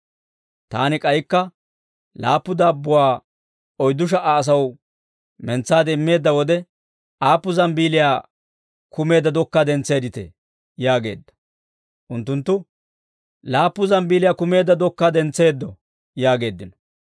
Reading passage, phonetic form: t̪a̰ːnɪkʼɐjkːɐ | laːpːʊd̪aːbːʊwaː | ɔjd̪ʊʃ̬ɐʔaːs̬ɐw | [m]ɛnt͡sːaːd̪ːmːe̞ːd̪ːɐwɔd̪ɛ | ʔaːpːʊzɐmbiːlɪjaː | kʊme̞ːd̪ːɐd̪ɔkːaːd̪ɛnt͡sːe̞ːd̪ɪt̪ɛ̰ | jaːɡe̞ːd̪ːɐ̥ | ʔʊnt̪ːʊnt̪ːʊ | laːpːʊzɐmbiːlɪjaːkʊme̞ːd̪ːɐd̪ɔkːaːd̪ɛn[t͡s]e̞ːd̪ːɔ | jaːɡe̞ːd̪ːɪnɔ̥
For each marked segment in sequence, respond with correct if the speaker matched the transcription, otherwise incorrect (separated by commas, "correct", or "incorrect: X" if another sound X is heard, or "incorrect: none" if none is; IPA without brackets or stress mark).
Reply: correct, correct